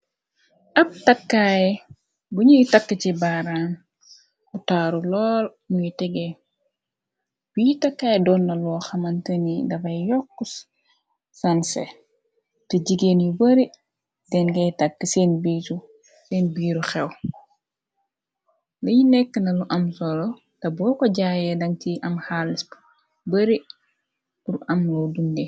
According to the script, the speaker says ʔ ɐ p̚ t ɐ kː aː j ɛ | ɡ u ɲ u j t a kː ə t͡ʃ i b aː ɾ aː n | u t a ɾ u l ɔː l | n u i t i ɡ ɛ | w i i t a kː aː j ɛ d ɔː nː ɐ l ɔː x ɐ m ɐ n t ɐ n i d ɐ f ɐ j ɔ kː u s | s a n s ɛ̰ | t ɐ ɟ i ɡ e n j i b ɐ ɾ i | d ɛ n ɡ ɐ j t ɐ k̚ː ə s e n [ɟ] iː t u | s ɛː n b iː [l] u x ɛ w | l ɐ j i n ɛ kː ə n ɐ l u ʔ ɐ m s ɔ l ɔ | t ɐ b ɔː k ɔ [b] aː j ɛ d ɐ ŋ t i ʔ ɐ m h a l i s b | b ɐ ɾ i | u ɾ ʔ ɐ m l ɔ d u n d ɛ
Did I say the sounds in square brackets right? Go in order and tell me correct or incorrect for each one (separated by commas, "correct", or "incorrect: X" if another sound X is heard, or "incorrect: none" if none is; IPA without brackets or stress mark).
incorrect: b, incorrect: ɾ, incorrect: ɟ